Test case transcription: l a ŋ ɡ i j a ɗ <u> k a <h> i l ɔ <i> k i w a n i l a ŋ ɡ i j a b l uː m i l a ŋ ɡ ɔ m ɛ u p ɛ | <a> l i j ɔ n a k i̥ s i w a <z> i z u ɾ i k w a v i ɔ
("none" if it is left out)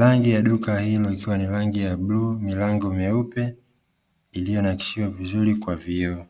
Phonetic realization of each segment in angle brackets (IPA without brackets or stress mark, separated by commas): u, h, i, i, v